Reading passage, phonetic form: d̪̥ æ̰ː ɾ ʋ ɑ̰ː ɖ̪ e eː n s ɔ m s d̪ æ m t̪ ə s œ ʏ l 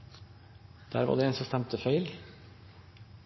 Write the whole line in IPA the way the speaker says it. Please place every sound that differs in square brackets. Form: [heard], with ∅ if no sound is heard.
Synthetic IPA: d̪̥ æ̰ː ɾ ʋ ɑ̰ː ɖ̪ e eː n s ɔ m s [t̪] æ m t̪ ə [f] œ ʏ l